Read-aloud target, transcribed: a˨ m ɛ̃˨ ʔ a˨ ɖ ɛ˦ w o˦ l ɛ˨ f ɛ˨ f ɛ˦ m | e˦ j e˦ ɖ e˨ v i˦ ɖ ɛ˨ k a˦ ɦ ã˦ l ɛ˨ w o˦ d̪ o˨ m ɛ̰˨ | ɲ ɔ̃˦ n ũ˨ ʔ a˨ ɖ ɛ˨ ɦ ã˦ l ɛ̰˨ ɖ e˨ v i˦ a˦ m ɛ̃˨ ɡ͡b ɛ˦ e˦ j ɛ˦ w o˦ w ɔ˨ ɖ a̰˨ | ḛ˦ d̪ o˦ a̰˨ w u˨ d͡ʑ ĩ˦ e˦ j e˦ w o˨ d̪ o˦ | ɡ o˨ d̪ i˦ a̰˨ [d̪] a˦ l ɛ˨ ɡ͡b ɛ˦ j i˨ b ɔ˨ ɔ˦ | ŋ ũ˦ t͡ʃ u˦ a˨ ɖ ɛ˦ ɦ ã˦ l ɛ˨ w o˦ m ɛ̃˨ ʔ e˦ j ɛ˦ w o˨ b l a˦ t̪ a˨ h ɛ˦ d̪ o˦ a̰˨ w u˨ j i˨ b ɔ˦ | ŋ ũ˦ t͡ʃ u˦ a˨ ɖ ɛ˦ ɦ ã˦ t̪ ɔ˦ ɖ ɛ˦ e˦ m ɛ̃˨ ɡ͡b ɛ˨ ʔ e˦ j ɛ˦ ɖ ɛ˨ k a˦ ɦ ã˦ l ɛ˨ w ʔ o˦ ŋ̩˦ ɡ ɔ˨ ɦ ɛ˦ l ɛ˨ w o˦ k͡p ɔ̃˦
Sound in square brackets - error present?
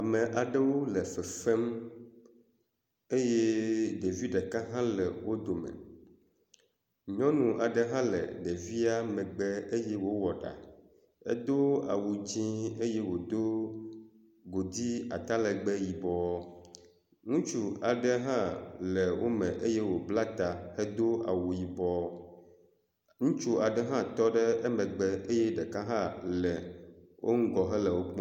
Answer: yes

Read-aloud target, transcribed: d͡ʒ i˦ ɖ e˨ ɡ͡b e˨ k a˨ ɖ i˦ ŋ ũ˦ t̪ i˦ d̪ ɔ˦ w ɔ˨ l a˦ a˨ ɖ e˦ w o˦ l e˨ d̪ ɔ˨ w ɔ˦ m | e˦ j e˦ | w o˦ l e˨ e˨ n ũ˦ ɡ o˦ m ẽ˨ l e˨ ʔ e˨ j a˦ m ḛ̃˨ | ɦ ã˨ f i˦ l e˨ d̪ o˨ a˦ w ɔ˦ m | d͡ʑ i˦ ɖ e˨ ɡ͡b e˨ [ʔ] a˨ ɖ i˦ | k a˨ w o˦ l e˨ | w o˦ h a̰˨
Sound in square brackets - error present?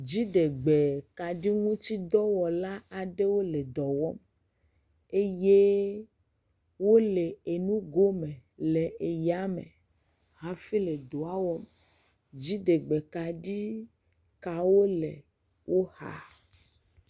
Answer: yes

